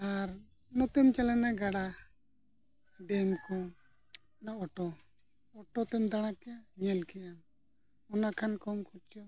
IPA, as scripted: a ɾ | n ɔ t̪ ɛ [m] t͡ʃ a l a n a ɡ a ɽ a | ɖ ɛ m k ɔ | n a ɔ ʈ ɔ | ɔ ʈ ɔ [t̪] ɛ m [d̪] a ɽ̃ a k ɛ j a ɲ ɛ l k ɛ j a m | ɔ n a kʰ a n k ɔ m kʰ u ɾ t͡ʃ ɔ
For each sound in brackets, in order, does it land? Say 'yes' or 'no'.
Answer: yes, yes, yes

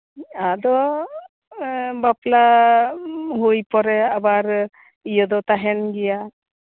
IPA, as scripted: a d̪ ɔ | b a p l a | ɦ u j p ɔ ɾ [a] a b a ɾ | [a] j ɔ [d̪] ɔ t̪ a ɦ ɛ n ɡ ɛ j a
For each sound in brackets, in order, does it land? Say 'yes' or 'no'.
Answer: no, no, yes

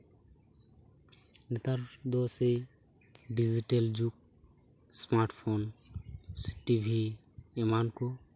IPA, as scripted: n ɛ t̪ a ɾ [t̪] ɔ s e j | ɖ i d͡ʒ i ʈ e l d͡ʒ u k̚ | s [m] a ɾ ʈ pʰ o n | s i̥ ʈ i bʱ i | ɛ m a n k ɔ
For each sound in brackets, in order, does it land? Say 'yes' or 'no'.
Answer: no, yes

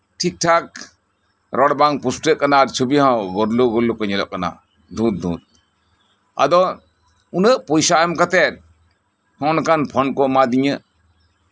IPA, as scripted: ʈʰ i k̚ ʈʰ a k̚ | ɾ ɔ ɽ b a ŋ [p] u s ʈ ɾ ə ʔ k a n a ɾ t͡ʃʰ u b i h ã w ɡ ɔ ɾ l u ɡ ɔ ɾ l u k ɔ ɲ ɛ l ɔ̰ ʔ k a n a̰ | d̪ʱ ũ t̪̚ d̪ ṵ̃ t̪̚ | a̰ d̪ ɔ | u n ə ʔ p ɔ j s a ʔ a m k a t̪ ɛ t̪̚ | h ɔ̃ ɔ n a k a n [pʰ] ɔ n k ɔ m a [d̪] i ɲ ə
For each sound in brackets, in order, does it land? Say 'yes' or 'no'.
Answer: yes, yes, yes

